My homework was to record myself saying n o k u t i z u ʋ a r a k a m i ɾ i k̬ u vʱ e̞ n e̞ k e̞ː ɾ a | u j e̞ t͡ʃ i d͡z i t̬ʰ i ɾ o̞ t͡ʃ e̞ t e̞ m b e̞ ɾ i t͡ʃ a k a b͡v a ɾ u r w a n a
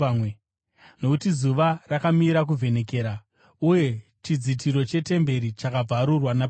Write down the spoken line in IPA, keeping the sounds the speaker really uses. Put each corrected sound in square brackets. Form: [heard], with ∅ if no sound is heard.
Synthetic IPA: n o k u t i z u ʋ a r a k a m i ɾ [a] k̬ u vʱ e̞ n e̞ k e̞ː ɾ a | u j e̞ t͡ʃ i d͡z i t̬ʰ i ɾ o̞ t͡ʃ e̞ t e̞ m b e̞ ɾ i t͡ʃ a k a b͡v a ɾ u r w a n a